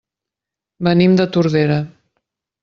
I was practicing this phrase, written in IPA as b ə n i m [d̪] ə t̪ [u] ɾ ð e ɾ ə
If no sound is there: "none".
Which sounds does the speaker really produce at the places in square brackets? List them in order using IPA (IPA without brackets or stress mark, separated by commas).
d̪, u